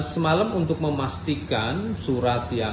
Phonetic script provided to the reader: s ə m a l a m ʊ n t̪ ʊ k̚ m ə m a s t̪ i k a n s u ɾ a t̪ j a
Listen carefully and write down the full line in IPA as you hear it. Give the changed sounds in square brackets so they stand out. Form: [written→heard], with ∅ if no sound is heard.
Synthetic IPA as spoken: s ə m a l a m [ʊ→u] n t̪ ʊ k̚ m ə m a s t̪ i k a n s u ɾ a t̪ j a